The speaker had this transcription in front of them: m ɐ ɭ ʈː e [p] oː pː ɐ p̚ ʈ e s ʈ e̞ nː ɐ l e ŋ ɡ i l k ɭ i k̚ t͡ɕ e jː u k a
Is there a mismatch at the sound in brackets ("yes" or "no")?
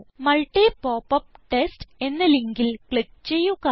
no